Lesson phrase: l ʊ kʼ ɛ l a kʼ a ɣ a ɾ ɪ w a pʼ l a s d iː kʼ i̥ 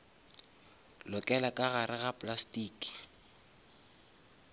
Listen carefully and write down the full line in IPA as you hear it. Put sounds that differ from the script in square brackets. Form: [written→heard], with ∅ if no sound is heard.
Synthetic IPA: l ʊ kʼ ɛ l a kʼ a ɣ a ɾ ɪ [w→ɣ] a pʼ l a s [d→t] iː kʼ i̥